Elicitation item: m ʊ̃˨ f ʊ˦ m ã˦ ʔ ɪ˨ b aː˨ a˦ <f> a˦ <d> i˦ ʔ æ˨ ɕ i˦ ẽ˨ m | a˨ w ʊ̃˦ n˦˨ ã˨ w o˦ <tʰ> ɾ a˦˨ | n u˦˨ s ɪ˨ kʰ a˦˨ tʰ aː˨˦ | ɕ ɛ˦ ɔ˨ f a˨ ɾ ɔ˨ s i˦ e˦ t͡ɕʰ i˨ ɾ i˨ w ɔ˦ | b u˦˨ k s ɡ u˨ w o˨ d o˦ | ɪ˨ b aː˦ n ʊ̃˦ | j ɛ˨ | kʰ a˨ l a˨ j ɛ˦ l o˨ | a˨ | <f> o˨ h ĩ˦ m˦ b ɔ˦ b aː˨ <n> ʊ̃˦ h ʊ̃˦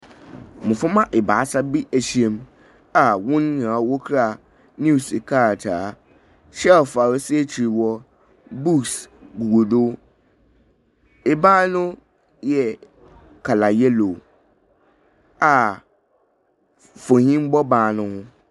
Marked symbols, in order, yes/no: no, no, no, yes, yes

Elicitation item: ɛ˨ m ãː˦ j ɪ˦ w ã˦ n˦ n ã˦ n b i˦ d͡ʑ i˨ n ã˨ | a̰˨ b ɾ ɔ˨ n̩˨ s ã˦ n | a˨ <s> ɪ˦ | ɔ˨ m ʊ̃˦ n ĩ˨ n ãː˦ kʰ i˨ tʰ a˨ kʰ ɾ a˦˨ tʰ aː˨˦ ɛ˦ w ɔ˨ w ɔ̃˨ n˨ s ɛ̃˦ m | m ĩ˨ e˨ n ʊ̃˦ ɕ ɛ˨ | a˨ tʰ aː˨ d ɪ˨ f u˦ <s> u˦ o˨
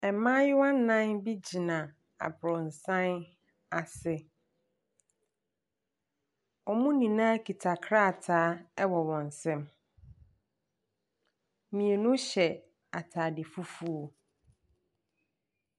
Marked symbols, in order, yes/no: yes, no

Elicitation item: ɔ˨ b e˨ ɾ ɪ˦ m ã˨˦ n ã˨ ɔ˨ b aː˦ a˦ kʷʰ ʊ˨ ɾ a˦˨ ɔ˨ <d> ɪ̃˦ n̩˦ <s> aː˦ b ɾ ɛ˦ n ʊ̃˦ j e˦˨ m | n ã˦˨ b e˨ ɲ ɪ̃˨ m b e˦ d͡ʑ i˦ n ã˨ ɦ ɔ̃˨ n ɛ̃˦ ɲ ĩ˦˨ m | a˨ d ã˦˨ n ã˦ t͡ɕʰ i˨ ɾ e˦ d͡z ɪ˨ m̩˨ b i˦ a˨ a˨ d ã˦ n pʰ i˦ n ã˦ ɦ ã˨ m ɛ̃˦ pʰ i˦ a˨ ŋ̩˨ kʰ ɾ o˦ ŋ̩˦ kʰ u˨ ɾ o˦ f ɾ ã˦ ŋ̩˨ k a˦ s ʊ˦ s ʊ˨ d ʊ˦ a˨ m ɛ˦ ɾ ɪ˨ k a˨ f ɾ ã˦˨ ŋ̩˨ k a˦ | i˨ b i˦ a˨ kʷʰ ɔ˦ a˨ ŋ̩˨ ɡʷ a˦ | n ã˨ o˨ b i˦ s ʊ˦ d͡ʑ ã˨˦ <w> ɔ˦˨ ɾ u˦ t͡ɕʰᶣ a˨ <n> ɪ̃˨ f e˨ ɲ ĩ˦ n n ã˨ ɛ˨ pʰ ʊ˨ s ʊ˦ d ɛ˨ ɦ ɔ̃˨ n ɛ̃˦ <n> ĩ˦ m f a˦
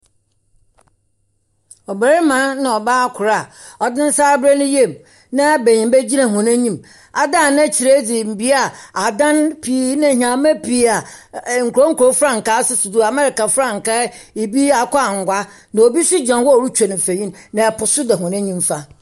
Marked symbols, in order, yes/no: yes, yes, yes, yes, no

